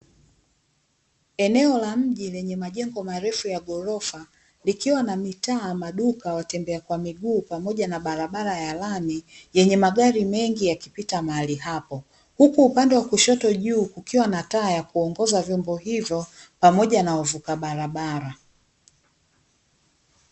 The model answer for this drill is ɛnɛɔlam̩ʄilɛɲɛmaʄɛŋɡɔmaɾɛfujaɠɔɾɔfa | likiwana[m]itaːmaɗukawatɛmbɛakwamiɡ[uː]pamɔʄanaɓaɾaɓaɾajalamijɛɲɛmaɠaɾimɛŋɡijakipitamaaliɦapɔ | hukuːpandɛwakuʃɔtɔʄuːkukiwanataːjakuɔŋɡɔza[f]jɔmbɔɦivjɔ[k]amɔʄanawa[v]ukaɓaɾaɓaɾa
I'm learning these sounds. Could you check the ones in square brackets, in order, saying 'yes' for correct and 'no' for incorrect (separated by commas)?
yes, yes, no, no, yes